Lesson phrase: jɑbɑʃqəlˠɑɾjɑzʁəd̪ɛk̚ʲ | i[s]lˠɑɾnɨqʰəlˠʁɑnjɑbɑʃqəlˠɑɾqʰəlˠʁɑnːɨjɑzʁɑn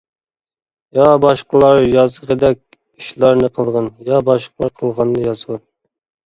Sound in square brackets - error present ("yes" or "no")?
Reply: yes